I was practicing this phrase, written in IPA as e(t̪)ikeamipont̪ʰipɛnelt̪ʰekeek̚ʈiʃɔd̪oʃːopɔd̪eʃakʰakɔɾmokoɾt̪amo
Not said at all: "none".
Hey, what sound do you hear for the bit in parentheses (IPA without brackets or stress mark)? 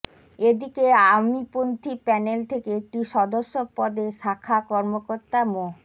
d̪